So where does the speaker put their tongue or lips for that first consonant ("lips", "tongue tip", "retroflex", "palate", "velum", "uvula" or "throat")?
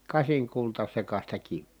velum